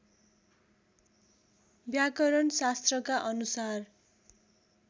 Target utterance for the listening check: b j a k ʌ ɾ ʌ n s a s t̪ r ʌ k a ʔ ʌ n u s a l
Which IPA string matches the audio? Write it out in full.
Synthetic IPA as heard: b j a k ʌ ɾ ʌ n s a s t̪ r ʌ k a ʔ ʌ n u s a r